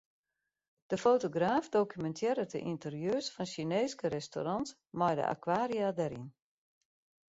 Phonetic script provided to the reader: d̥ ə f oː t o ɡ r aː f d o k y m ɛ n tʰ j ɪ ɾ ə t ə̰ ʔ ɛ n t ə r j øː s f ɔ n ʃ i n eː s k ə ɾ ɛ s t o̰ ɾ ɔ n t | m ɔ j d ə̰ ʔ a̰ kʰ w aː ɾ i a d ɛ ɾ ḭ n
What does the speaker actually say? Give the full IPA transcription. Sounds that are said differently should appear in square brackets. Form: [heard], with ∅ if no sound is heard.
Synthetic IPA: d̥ ə f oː t o ɡ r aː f d o k y m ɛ n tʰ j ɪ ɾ ə t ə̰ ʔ [i] n t ə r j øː s f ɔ n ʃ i n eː s k ə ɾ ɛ s t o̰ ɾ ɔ n t | m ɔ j d ə̰ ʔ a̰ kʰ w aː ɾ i a d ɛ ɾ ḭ n